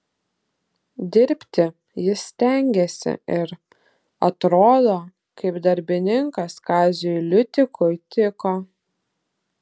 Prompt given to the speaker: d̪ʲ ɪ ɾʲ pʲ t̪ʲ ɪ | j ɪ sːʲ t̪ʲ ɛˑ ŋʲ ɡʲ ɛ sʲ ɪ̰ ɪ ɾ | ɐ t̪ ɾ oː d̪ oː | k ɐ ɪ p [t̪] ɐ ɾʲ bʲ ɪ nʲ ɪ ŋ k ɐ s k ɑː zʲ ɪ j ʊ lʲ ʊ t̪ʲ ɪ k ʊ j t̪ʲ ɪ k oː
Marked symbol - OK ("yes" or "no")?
no